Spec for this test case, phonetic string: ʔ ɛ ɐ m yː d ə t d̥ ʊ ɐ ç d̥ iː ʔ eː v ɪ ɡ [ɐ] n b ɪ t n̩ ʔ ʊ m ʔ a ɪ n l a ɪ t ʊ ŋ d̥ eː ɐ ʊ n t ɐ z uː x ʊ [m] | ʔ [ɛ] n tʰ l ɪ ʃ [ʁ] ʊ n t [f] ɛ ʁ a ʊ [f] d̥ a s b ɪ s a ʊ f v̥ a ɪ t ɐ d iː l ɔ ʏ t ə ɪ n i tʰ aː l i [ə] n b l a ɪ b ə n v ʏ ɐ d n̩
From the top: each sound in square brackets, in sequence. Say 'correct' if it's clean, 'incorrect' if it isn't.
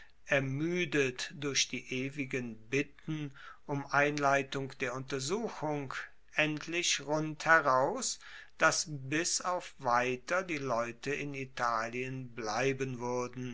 incorrect: ə, incorrect: ŋ, correct, correct, incorrect: h, incorrect: s, correct

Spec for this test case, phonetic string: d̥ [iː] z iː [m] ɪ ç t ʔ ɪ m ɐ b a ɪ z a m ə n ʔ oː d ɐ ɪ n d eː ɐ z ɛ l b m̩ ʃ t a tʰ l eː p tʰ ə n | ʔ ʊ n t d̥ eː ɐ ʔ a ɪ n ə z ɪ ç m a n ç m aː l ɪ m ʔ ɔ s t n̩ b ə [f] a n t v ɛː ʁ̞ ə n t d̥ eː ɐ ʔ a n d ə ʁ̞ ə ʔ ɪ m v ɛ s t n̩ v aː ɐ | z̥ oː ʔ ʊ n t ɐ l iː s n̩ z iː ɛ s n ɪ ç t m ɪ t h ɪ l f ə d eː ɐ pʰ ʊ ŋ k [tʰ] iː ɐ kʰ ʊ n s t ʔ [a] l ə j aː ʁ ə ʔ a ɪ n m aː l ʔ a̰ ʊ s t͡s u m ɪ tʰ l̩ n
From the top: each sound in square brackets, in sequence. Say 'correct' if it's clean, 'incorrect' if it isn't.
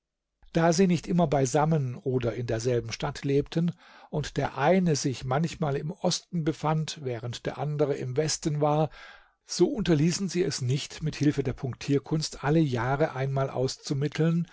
incorrect: aː, incorrect: n, correct, correct, correct

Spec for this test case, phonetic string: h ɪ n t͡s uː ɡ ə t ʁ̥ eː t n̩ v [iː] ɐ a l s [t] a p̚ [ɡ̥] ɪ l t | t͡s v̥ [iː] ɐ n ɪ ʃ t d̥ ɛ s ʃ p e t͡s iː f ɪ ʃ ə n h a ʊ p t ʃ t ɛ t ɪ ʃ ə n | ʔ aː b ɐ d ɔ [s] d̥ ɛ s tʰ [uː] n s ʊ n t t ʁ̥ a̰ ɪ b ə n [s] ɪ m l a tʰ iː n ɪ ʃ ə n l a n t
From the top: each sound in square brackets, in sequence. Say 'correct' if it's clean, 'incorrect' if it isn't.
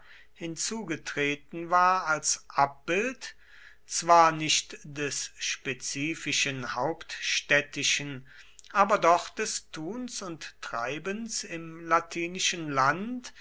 incorrect: aː, incorrect: ʔ, incorrect: b̥, incorrect: aː, incorrect: χ, correct, correct

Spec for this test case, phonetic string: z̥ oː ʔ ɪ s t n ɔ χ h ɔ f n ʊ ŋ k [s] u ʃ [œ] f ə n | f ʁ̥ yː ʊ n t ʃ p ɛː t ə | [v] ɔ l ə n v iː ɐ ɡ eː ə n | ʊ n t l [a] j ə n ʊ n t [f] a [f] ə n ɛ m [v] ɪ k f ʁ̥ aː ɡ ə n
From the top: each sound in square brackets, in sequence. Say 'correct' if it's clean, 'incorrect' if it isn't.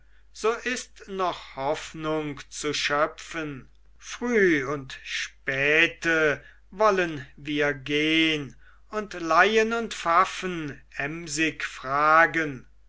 incorrect: t͡s, correct, correct, correct, correct, correct, incorrect: z

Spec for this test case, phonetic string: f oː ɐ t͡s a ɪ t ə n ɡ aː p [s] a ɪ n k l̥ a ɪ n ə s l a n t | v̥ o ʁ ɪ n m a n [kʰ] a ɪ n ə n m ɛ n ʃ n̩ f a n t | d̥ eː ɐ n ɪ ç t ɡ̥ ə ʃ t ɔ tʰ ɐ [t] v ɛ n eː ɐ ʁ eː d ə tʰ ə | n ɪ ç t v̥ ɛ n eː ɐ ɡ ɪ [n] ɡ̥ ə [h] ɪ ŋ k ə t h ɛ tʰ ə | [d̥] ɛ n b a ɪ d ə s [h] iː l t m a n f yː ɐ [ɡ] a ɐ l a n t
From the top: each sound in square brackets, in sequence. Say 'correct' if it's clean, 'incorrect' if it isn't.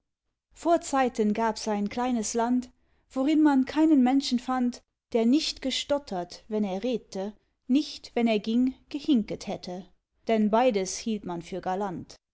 correct, correct, correct, incorrect: ŋ, correct, correct, correct, correct

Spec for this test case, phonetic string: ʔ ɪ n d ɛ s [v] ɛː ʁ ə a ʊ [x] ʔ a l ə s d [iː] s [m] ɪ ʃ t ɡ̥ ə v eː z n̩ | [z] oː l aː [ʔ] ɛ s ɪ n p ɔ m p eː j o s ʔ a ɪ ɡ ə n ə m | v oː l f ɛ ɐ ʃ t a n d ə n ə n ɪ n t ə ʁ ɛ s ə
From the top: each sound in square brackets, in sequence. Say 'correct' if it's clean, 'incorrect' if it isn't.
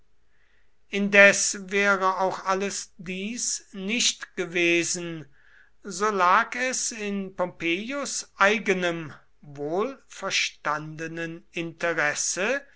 correct, correct, correct, incorrect: n, correct, incorrect: k

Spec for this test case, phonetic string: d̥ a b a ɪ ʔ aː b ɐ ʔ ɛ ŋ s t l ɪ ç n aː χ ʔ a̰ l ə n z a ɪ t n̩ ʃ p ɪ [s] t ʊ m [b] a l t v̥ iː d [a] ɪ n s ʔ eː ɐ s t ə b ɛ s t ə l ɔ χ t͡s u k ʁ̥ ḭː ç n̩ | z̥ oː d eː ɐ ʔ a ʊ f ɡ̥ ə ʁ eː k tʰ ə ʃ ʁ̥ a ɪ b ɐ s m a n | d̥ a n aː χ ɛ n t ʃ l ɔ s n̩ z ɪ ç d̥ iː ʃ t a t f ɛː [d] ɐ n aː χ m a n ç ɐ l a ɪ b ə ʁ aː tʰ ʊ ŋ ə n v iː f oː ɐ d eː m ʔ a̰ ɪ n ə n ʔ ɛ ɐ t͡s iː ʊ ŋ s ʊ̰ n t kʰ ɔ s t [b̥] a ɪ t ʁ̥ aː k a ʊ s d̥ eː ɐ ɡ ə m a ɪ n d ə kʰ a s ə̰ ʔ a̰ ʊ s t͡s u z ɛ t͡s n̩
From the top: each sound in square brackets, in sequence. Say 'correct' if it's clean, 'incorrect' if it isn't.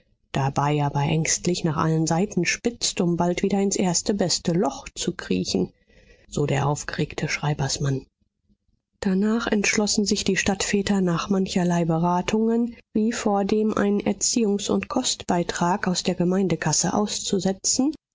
incorrect: t͡s, correct, incorrect: ɐ, incorrect: t, correct

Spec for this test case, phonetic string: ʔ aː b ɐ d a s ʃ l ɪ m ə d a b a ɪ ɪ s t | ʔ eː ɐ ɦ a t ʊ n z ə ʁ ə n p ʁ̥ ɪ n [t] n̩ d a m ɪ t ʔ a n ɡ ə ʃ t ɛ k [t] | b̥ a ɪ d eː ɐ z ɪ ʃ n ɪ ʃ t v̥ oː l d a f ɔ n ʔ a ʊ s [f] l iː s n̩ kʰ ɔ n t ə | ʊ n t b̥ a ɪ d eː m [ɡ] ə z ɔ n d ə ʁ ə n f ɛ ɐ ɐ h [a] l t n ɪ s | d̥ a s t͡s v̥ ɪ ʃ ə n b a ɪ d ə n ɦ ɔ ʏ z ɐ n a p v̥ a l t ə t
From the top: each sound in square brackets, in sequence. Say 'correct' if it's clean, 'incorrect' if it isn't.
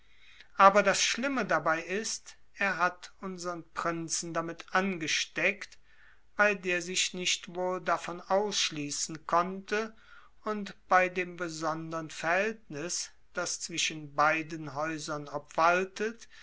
incorrect: t͡s, correct, incorrect: ʃ, incorrect: b, incorrect: ɛ

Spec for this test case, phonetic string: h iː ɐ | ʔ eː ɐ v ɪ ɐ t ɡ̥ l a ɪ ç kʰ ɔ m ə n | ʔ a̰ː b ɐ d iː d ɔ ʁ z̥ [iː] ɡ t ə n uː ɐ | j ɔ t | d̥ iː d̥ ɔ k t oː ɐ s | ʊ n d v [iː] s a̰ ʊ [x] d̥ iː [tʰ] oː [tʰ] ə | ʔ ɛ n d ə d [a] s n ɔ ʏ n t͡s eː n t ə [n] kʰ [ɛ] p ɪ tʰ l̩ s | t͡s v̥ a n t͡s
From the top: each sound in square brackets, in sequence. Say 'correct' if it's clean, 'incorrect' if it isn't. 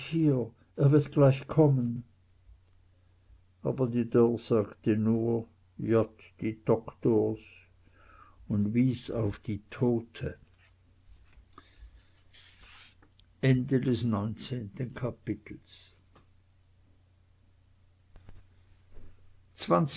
incorrect: aː, correct, incorrect: f, correct, correct, incorrect: ɛ, correct, incorrect: a

